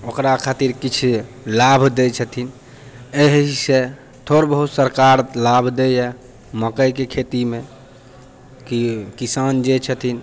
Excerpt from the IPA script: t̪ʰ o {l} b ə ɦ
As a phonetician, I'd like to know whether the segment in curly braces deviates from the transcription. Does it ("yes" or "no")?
yes